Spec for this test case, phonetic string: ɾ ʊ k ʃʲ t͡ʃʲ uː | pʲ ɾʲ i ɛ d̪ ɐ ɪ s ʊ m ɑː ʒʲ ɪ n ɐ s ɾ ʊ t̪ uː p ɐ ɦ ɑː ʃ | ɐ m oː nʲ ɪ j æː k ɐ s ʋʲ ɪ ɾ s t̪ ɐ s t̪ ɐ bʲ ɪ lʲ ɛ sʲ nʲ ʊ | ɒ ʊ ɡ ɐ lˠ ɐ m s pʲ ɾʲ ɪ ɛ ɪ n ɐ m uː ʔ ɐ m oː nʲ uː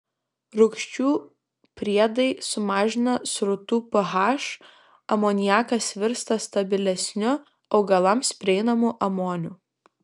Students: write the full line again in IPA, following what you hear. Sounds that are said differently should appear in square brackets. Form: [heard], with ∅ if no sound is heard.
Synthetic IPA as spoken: ɾ ʊ k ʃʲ t͡ʃʲ uː | pʲ ɾʲ i ɛ d̪ ɐ ɪ s ʊ m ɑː ʒʲ ɪ n ɐ s ɾ ʊ t̪ uː p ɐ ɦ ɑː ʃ | ɐ m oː nʲ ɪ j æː k ɐ s ʋʲ ɪ ɾ s t̪ ɐ s t̪ ɐ bʲ ɪ lʲ ɛ sʲ nʲ ʊ | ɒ ʊ ɡ ɐ lˠ ɐ m s pʲ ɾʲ ɪ ɛ ɪ n ɐ m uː ʔ ɐ m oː nʲ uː

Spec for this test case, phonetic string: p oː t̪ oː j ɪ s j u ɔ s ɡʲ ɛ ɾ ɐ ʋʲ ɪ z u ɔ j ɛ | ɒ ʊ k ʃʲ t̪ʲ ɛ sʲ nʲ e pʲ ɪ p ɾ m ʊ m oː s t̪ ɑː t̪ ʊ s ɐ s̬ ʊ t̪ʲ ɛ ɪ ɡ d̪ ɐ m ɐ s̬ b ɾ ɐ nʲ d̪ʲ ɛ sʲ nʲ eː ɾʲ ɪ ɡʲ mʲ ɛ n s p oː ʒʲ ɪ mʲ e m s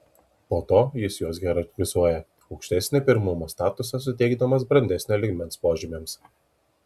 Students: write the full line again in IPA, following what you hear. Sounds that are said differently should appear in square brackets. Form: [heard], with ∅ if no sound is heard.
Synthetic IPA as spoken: p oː t̪ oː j ɪ s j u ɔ s ɡʲ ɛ ɾ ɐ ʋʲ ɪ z u ɔ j ɛ | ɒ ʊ k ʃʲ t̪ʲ ɛ sʲ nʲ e pʲ ɪ [∅] ɾ m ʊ m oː s t̪ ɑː t̪ ʊ s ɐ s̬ ʊ t̪ʲ ɛ ɪ ɡ d̪ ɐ m ɐ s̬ b ɾ ɐ nʲ d̪ʲ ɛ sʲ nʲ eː [lʲ] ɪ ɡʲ mʲ ɛ n s p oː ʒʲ ɪ mʲ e m s

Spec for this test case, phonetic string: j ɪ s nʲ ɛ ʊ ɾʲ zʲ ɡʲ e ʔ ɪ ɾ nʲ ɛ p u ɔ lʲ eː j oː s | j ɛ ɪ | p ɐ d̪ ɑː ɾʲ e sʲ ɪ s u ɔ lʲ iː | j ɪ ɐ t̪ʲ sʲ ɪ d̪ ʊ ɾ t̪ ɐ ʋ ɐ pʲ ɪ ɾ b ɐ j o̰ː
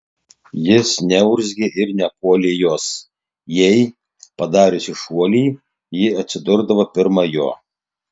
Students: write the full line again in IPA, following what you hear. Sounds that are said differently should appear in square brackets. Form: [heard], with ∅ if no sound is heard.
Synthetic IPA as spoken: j ɪ s nʲ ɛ ʊ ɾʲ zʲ ɡʲ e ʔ ɪ ɾ nʲ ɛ p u ɔ lʲ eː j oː s | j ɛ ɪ | p ɐ d̪ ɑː ɾʲ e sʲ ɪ [ʃ] u ɔ lʲ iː | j ɪ ɐ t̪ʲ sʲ ɪ d̪ ʊ ɾ [d̪] ɐ ʋ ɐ pʲ ɪ ɾ [m] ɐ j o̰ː

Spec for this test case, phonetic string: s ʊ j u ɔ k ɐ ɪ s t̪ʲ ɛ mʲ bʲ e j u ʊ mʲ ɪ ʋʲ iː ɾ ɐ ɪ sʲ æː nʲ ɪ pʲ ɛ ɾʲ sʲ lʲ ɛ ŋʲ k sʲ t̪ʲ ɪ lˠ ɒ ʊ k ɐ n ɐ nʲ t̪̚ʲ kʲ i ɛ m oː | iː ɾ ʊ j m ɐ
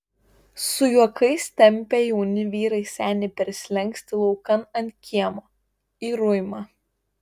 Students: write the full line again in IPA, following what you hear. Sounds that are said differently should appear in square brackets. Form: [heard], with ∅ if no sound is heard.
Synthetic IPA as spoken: s ʊ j u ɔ k ɐ ɪ s t̪ʲ ɛ mʲ [pʲ] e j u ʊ [nʲ] ɪ ʋʲ iː ɾ ɐ ɪ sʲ æː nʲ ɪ pʲ ɛ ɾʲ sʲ lʲ ɛ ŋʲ k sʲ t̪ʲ ɪ lˠ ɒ ʊ k ɐ n ɐ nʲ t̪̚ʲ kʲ i ɛ m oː | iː ɾ ʊ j m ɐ

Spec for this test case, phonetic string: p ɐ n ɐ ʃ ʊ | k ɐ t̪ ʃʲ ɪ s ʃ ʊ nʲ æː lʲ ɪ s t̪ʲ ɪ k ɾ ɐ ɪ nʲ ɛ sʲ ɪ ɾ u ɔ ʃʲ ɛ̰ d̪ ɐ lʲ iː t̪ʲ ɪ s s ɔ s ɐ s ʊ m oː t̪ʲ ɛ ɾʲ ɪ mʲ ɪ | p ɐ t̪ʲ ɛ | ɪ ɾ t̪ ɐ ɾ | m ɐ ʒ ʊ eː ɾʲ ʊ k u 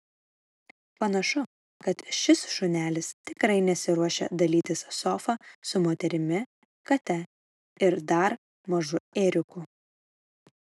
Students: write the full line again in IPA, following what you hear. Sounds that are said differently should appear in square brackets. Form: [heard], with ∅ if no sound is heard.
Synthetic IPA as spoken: p ɐ n ɐ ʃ ʊ | k ɐ t̪ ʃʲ ɪ s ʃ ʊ nʲ æː lʲ ɪ s t̪ʲ ɪ k ɾ ɐ ɪ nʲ ɛ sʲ ɪ ɾ u ɔ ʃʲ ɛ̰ d̪ ɐ lʲ iː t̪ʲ ɪ s s ɔ [f] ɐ s ʊ m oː t̪ʲ ɛ ɾʲ ɪ mʲ ɪ | [k] ɐ t̪ʲ ɛ | ɪ ɾ [d̪] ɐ ɾ | m ɐ ʒ ʊ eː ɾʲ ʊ k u

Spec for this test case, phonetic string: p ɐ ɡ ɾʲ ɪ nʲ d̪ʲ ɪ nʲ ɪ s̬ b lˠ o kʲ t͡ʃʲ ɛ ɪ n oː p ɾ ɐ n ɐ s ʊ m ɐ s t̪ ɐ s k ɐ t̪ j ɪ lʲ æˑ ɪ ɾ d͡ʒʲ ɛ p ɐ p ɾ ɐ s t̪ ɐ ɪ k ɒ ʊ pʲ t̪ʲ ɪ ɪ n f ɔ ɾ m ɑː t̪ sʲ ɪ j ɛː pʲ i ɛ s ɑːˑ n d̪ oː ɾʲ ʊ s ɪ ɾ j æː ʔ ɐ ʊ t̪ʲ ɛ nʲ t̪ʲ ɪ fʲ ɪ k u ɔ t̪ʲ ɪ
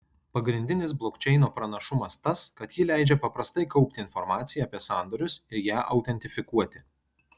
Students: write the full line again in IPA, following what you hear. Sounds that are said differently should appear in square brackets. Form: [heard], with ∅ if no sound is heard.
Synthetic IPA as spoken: p ɐ ɡ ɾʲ ɪ nʲ d̪ʲ ɪ nʲ ɪ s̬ b lˠ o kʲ t͡ʃʲ ɛ ɪ n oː p ɾ ɐ n ɐ [ʃ] ʊ m ɐ s t̪ ɐ s k ɐ t̪ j ɪ lʲ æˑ ɪ [∅] d͡ʒʲ ɛ p ɐ p ɾ ɐ s t̪ ɐ ɪ k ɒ ʊ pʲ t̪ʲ ɪ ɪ n f ɔ ɾ m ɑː t̪ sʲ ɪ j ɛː pʲ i ɛ s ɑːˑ n d̪ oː ɾʲ ʊ s ɪ ɾ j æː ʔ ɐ ʊ t̪ʲ ɛ nʲ t̪ʲ ɪ fʲ ɪ k u ɔ t̪ʲ ɪ

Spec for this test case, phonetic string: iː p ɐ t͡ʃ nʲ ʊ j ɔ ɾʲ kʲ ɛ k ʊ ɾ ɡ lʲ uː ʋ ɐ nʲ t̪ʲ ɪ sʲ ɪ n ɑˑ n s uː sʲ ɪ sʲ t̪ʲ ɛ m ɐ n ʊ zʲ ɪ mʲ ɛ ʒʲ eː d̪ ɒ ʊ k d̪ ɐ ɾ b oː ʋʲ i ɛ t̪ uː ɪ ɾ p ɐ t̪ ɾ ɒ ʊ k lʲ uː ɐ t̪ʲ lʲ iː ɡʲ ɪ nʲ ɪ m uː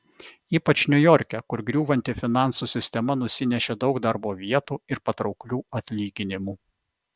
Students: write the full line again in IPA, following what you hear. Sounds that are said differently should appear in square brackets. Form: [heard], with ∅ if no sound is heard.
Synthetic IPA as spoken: iː p ɐ t͡ʃ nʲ ʊ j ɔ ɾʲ kʲ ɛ k ʊ ɾ ɡ [ɾʲ] uː ʋ ɐ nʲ t̪ʲ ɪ [fʲ] ɪ n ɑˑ n s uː sʲ ɪ sʲ t̪ʲ ɛ m ɐ n ʊ [sʲ] ɪ [nʲ] ɛ [ʃʲ] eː d̪ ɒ ʊ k d̪ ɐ ɾ b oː ʋʲ i ɛ t̪ uː ɪ ɾ p ɐ t̪ ɾ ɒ ʊ k lʲ uː ɐ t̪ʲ lʲ iː ɡʲ ɪ nʲ ɪ m uː

